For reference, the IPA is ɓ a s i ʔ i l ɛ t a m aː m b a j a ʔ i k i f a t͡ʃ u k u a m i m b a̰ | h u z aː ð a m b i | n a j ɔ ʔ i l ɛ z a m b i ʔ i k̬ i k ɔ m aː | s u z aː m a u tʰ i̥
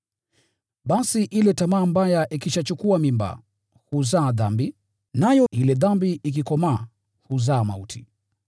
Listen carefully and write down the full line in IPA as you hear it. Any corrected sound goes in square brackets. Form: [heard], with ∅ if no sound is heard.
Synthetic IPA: ɓ a s i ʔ i l ɛ t a m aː m b a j a ʔ i k i [ʃ] a t͡ʃ u k u a m i m b a̰ | h u z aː ð a m b i | n a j ɔ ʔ i l ɛ [ð] a m b i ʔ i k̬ i k ɔ m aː | [h] u z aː m a u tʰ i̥